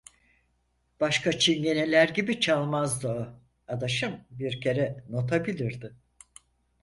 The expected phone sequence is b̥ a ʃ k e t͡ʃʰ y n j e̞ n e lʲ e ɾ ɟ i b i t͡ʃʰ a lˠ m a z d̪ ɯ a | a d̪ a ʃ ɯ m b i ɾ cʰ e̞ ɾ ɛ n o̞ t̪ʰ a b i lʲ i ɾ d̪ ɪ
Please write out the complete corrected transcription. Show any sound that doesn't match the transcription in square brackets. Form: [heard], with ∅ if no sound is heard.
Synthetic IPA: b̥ a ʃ k [a] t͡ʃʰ [i] n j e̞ n e lʲ [æ] ɾ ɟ i b i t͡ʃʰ a lˠ m a z d̪ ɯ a | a d̪ a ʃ ɯ m b i ɾ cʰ e̞ ɾ ɛ n o̞ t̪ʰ a b i lʲ i ɾ d̪ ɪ